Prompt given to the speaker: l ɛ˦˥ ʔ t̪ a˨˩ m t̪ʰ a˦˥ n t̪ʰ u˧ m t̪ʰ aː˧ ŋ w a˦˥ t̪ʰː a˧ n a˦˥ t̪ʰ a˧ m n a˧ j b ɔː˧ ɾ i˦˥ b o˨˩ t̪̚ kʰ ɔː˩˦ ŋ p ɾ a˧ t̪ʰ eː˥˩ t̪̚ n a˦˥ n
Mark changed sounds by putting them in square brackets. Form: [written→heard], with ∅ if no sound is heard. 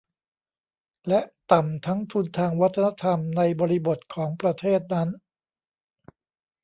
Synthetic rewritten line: l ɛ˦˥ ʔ t̪ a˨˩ m t̪ʰ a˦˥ [n→ŋ] t̪ʰ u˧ [m→n] t̪ʰ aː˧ ŋ w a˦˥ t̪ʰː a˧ n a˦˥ t̪ʰ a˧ m n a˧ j b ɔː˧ ɾ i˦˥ b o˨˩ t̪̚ kʰ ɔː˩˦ ŋ p ɾ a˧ t̪ʰ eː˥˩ t̪̚ n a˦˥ n